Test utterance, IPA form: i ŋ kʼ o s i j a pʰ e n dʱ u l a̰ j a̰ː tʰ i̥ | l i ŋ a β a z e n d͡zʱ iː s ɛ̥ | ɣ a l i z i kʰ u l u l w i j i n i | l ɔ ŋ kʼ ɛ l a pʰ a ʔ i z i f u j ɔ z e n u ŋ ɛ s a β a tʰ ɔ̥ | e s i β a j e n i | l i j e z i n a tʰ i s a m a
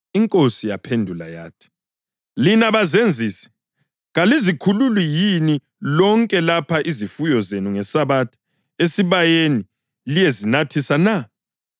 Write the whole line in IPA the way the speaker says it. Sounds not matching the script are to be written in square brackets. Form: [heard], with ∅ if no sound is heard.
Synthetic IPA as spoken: i ŋ kʼ o s i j a pʰ e n dʱ u l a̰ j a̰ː tʰ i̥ | l i [n] a β a z e n d͡zʱ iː s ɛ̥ | ɣ a l i z i kʰ u l u l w i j i n i | l ɔ ŋ kʼ ɛ l a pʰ a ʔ i z i f u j ɔ z e n u ŋ ɛ s a β a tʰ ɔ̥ | e s i β a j e n i | l i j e z i n a tʰ i s a [n] a